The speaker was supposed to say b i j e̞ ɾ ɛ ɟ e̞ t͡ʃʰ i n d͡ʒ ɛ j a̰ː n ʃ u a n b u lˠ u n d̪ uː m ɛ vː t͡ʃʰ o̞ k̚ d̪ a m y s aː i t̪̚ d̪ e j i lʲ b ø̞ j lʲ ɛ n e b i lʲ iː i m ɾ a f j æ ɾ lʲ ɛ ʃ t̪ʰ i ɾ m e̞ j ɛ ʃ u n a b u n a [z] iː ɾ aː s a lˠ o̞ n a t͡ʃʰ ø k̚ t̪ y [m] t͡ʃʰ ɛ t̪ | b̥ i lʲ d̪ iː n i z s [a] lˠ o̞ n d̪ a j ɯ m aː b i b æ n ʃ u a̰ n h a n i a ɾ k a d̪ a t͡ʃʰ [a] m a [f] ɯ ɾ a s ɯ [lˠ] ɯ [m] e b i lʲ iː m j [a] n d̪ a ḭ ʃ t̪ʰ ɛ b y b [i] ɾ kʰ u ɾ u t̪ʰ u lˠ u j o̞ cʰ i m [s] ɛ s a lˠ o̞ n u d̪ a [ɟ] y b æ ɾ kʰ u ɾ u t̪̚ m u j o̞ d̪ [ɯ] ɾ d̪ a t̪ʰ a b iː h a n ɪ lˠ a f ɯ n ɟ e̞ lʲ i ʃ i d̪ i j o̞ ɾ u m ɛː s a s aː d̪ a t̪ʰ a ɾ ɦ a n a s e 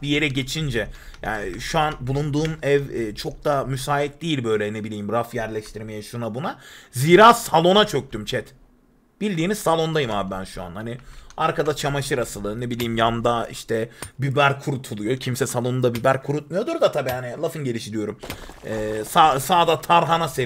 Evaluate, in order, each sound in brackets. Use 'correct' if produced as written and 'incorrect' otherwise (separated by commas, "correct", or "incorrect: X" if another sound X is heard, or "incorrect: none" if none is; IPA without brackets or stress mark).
correct, correct, correct, correct, incorrect: ʃ, correct, incorrect: n, correct, incorrect: æ, correct, incorrect: b, incorrect: u